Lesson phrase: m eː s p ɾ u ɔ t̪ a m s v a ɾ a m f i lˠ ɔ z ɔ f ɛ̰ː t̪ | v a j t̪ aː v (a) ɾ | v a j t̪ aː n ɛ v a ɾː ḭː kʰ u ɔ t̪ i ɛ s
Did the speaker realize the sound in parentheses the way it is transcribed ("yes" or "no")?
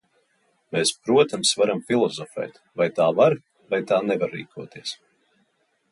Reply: yes